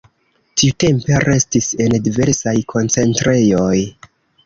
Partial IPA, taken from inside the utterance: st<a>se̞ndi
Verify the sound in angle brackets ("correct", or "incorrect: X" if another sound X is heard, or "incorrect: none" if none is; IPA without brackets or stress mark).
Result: incorrect: i